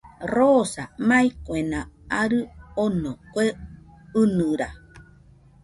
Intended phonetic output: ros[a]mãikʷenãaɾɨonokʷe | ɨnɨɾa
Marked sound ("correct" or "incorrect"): correct